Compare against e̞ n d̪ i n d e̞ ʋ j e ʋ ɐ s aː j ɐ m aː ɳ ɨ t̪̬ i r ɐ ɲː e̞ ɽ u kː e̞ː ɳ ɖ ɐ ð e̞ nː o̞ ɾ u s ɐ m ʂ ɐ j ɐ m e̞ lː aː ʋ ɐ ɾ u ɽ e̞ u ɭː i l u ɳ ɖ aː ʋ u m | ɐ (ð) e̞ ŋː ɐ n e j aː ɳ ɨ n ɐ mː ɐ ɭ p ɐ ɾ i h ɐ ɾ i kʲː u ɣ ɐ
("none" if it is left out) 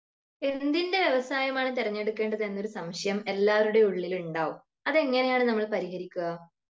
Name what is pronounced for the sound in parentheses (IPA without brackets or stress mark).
ð